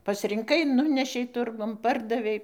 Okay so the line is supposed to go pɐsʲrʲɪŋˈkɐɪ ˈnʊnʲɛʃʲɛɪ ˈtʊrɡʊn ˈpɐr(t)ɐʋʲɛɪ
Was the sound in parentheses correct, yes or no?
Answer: no